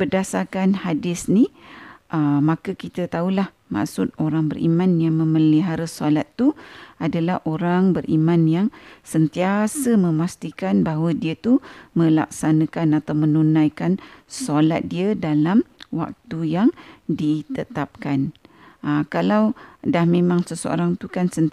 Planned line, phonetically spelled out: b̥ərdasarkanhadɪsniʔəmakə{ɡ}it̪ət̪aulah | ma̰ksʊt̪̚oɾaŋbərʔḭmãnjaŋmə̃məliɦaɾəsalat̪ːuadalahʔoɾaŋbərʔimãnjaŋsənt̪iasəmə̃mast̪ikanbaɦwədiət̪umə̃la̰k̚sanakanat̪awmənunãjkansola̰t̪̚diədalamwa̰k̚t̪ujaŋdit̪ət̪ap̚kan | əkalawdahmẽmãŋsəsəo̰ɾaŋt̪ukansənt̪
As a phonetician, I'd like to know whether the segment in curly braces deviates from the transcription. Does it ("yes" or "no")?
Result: yes